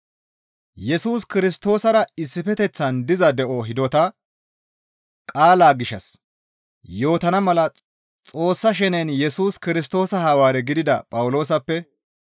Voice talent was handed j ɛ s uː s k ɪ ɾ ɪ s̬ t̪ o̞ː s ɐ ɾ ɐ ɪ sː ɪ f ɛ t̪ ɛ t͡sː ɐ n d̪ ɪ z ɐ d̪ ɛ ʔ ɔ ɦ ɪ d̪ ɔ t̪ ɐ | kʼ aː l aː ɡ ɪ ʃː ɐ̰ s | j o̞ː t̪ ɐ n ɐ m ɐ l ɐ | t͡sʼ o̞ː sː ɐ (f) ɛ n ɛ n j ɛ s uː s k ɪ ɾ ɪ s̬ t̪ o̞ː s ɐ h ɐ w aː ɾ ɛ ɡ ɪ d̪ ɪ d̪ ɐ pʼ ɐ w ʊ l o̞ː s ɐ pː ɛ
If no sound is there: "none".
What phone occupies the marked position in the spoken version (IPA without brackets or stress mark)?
ʃ